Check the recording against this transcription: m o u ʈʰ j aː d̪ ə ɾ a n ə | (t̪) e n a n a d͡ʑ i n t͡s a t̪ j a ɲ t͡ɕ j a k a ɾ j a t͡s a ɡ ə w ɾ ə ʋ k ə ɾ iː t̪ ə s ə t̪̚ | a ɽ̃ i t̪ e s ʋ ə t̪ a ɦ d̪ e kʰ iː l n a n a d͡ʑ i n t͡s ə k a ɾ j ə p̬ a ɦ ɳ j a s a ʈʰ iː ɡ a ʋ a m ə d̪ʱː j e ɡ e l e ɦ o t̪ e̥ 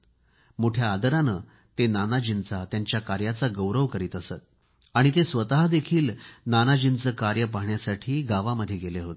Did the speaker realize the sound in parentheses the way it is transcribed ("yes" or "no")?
yes